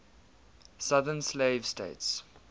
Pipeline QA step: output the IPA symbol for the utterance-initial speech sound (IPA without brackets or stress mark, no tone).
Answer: s